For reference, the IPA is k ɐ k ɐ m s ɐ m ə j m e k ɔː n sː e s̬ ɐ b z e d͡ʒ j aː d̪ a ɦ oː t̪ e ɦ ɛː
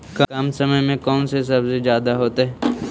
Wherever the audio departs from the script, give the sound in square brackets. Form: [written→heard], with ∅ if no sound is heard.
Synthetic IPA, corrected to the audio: k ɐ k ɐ m s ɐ m ə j m [e→ẽ] k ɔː n [sː→s] e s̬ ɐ b z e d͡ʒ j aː d̪ a ɦ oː t̪ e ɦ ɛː